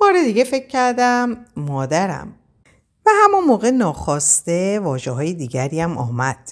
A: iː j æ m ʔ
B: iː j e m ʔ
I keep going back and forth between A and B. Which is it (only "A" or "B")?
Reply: A